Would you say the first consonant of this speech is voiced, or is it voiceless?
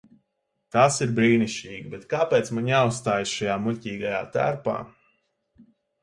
voiceless